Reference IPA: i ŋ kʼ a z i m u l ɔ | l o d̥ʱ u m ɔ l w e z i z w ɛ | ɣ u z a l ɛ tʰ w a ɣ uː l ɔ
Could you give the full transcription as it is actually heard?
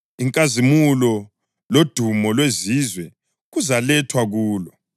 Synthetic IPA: i ŋ kʼ a z i m u l ɔ | l o d̥ʱ u m ɔ l w e z i z w ɛ | ɣ u z a l ɛ tʰ w a ɣ uː l ɔ